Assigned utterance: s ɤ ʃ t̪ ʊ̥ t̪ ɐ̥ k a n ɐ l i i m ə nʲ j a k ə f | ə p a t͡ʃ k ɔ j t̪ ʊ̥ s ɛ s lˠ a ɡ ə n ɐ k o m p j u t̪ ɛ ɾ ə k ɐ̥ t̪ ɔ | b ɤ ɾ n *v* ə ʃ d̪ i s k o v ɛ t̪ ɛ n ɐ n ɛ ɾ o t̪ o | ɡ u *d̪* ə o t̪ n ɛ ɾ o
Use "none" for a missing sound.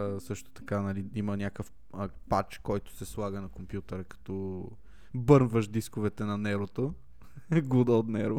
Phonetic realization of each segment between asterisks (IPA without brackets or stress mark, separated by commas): v, d̪